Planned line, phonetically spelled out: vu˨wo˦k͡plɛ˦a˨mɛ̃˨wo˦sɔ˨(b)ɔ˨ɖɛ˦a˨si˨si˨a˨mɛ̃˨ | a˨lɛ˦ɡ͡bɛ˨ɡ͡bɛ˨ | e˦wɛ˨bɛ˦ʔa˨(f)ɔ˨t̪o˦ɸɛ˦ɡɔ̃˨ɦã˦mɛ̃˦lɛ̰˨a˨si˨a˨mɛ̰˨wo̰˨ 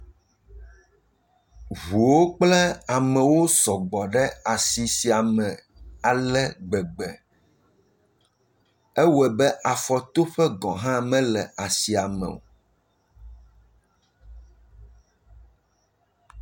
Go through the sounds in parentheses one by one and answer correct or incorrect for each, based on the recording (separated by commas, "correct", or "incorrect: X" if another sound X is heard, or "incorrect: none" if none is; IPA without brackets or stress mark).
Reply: incorrect: ɡ͡b, correct